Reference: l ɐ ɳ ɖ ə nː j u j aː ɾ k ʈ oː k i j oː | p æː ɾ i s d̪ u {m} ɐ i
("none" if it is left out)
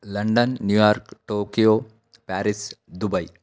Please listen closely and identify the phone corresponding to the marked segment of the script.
b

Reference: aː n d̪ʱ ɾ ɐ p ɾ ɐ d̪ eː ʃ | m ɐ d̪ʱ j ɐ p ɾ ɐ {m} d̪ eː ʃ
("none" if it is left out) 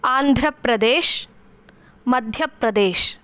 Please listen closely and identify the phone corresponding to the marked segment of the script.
none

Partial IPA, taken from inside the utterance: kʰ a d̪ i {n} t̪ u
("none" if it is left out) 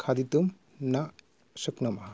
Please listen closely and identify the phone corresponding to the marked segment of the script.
none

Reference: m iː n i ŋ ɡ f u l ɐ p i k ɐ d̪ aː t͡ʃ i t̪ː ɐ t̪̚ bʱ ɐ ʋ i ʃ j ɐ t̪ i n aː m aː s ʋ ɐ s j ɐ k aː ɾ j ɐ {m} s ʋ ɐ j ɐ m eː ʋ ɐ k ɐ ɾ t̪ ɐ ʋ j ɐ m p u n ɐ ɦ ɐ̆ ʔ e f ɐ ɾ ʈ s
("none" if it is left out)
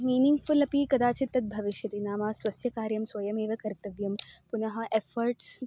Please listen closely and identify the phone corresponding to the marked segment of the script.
m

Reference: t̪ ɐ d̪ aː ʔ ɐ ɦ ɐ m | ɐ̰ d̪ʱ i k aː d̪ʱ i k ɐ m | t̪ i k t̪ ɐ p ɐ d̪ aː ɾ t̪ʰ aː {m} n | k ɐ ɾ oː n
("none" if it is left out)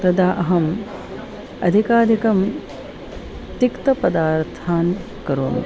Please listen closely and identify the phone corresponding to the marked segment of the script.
none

